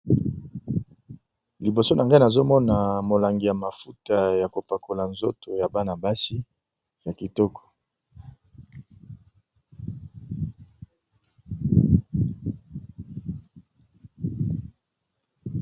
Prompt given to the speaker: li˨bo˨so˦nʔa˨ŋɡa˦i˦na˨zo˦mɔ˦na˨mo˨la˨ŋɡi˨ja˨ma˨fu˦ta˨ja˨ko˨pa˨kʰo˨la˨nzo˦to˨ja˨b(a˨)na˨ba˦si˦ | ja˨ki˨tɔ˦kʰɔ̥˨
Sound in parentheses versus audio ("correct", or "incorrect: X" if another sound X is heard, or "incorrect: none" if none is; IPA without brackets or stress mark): incorrect: a˦